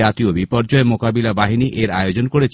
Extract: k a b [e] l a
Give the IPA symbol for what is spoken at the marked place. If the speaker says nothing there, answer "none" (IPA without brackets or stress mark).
i